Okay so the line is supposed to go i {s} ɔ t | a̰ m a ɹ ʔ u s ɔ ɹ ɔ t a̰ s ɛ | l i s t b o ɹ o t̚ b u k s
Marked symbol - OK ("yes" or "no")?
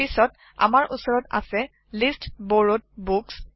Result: yes